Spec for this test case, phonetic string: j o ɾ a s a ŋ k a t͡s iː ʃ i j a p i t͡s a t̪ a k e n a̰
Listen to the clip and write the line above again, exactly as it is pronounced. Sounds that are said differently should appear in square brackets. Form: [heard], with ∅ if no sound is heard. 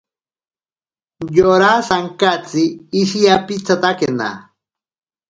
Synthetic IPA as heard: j o ɾ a s a ŋ k a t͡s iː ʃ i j a p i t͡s a t̪ a k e n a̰